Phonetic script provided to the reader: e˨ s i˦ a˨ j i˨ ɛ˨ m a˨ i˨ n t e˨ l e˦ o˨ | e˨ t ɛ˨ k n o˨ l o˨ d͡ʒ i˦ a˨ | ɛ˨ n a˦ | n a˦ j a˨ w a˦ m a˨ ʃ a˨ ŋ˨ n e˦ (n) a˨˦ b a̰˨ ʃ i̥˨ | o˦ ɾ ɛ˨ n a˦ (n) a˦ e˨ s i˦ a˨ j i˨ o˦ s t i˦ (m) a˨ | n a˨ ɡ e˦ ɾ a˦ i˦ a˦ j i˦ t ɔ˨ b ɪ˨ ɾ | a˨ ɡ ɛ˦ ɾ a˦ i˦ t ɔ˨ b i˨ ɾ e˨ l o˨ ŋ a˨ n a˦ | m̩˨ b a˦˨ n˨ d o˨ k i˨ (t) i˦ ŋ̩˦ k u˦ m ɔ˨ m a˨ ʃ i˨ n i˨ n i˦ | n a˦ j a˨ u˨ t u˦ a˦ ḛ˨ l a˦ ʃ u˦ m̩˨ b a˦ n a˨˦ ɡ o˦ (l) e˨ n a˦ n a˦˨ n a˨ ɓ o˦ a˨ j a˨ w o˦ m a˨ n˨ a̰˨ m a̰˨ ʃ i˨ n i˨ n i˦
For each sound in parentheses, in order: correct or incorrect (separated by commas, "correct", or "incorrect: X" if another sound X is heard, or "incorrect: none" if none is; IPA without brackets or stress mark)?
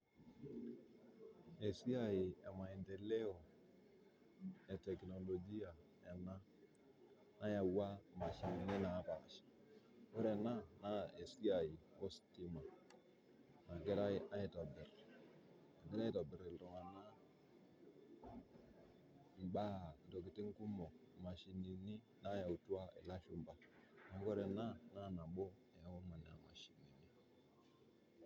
correct, correct, correct, correct, incorrect: ɾ